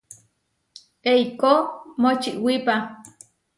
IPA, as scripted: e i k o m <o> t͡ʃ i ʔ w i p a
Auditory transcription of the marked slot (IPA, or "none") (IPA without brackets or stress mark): o